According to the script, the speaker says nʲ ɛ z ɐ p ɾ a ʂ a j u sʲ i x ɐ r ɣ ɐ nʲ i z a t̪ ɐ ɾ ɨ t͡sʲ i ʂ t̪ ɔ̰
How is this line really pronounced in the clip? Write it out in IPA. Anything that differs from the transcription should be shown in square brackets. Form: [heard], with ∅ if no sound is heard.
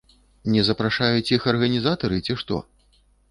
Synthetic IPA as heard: nʲ ɛ z ɐ p ɾ a ʂ a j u [t͡sʲ] i x ɐ r ɣ ɐ nʲ i z a t̪ ɐ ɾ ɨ t͡sʲ i ʂ t̪ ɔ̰